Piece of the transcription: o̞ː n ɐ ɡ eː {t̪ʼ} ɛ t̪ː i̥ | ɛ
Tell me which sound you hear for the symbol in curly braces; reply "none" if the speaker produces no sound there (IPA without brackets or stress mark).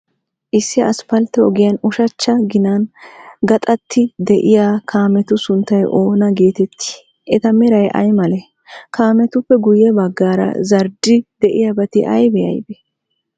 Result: t̪